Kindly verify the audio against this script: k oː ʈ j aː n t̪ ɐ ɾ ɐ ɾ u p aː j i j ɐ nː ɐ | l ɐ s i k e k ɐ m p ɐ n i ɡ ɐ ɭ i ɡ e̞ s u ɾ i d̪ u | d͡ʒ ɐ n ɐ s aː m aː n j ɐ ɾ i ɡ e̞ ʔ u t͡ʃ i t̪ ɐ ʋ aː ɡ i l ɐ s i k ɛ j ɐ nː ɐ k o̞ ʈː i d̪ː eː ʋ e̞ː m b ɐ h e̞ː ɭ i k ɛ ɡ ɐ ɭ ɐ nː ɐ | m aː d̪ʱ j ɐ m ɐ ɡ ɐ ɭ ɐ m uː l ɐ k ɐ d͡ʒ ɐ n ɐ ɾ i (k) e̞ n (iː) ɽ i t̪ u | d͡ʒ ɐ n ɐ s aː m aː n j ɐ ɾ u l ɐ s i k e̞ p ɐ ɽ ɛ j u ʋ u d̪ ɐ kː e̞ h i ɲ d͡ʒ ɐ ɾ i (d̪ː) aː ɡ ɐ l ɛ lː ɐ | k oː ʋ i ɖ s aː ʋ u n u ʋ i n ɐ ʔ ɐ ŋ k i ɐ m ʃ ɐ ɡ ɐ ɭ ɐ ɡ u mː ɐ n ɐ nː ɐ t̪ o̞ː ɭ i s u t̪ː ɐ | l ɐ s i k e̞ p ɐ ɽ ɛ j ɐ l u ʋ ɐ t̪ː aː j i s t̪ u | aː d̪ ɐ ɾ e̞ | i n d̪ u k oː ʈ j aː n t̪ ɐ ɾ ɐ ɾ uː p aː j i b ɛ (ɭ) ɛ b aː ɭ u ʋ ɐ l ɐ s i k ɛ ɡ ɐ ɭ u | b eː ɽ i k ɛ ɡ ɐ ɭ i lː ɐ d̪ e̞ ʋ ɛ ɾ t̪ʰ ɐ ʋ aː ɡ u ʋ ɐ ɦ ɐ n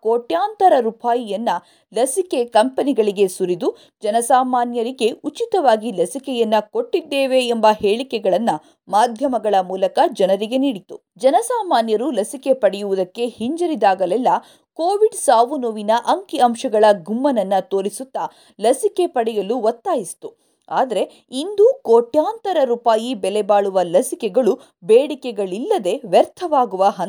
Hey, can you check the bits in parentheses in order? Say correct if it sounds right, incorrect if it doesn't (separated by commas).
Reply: incorrect, correct, incorrect, incorrect